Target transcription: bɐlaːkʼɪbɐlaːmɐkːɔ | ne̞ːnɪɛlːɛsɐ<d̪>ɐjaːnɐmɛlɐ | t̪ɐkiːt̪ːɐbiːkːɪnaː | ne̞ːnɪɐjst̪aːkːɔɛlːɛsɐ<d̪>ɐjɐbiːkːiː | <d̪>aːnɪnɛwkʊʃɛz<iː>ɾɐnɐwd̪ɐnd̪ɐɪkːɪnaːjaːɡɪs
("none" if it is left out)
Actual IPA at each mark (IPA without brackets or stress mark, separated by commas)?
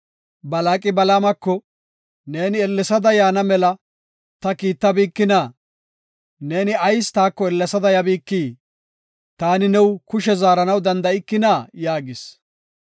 d̪, d̪, t̪, aː